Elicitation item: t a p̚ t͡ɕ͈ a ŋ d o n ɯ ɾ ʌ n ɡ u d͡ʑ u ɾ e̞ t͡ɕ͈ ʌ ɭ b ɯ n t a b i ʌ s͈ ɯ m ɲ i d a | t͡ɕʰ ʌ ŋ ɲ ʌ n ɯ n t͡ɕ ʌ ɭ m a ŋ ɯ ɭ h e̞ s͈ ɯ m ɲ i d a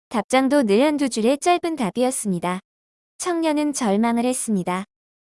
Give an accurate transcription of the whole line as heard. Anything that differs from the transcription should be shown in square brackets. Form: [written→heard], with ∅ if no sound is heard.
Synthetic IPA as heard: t a p̚ t͡ɕ͈ a ŋ d o n ɯ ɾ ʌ n [ɡ→d] u d͡ʑ u ɾ e̞ t͡ɕ͈ ʌ ɭ b ɯ n t a b i ʌ s͈ ɯ m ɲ i d a | t͡ɕʰ ʌ ŋ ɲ ʌ n ɯ n t͡ɕ ʌ ɭ m a ŋ ɯ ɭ h e̞ s͈ ɯ m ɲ i d a